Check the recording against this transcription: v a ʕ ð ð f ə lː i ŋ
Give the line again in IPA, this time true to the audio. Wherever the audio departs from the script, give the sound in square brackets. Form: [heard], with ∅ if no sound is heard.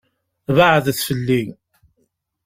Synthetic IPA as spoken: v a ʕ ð [θ] f ə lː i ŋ